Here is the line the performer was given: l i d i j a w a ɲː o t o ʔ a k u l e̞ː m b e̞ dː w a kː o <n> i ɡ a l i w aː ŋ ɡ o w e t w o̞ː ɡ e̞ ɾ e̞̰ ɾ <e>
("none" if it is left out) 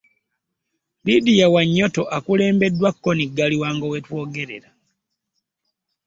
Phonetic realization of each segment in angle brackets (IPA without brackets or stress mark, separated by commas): n, a